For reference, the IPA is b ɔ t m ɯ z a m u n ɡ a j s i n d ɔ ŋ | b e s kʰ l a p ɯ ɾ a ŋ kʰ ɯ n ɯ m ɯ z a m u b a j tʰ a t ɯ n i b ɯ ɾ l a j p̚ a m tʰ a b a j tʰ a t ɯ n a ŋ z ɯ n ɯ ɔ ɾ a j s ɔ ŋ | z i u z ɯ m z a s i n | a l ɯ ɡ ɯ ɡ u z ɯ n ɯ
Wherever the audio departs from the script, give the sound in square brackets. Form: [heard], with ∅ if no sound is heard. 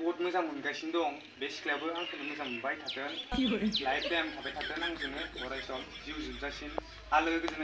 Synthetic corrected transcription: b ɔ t m ɯ z a m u n ɡ a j s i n d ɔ ŋ | b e s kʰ l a [b] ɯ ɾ a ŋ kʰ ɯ n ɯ m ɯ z a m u b a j tʰ a t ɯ n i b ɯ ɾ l a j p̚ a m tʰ a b a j tʰ a t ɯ n a ŋ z ɯ n ɯ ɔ ɾ a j s ɔ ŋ | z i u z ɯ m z a s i n | a l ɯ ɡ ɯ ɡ [ɯ] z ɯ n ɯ